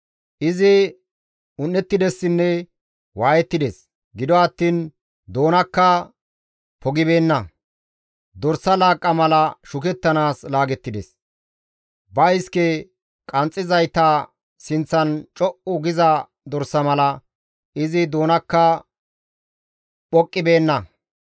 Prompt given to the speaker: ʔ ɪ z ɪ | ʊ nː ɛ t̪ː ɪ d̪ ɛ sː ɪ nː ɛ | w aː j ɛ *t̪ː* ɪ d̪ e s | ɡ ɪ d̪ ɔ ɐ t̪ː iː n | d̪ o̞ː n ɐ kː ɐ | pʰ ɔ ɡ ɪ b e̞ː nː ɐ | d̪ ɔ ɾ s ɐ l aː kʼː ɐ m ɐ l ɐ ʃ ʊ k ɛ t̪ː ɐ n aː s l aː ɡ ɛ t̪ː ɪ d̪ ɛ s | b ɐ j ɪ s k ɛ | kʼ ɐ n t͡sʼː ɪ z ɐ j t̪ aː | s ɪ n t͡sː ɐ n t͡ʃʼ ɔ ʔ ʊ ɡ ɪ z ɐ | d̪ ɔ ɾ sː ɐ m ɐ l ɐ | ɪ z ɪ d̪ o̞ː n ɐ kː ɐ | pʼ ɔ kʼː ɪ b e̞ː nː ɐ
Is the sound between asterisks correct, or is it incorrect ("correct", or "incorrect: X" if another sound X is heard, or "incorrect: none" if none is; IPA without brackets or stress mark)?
correct